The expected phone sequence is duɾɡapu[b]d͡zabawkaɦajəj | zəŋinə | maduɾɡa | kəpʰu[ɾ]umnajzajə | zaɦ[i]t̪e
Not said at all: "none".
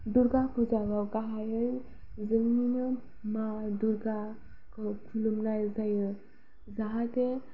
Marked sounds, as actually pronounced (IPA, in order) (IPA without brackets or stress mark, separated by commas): none, l, a